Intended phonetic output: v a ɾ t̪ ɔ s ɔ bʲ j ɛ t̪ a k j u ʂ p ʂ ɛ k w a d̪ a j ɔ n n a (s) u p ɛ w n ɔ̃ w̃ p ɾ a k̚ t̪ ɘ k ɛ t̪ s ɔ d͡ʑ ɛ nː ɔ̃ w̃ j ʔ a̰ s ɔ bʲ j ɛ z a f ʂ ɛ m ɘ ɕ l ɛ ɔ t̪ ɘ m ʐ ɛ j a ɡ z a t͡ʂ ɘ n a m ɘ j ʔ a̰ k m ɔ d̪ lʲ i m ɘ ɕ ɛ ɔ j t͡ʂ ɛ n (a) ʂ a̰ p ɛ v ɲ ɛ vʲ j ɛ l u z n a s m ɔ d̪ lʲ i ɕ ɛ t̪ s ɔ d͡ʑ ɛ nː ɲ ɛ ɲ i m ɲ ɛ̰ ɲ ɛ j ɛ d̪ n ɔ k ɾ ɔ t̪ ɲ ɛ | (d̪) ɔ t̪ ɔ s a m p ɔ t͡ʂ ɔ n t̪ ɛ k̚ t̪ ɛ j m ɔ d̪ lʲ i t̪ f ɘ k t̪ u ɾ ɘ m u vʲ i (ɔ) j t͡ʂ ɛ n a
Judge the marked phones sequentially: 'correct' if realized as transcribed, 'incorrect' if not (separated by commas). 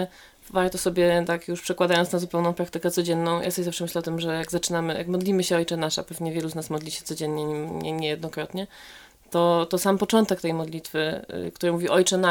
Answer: incorrect, correct, incorrect, correct